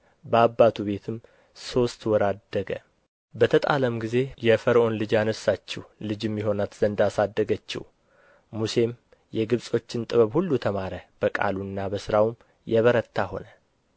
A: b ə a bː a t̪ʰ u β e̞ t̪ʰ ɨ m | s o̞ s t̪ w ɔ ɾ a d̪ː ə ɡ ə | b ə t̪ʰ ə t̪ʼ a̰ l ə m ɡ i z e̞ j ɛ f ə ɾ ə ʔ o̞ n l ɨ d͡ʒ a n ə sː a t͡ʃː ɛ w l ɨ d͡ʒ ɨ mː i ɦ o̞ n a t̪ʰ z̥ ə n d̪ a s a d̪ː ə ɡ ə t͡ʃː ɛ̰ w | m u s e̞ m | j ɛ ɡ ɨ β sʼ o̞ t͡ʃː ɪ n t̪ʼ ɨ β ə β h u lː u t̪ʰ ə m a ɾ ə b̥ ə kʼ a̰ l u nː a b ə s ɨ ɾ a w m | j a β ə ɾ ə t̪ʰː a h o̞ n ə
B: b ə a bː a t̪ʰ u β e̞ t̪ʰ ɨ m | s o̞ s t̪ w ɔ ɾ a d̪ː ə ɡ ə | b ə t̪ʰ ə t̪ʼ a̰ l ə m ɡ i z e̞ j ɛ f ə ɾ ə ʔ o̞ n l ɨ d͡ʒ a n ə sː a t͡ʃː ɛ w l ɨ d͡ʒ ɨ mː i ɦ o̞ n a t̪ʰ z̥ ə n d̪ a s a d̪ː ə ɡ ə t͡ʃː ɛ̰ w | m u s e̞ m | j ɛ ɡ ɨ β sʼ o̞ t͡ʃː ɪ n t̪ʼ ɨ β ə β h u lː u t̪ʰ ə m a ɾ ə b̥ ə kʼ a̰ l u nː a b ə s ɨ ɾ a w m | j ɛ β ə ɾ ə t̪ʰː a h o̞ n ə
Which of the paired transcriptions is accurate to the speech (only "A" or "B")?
B